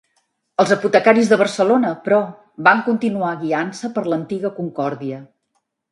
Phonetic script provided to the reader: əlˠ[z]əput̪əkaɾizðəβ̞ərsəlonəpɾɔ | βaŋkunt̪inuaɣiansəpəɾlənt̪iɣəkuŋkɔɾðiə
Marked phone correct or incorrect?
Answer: correct